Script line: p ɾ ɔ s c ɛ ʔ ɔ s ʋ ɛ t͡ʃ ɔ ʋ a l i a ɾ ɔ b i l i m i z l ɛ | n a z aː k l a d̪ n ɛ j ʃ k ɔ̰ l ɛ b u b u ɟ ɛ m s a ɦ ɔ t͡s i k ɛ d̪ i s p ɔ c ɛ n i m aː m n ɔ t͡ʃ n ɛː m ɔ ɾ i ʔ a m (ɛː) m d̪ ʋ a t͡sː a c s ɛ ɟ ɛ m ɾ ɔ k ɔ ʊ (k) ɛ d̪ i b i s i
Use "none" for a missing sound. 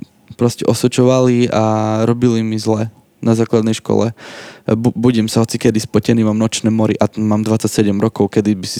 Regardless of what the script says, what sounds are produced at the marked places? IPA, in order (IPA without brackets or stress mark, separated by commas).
aː, k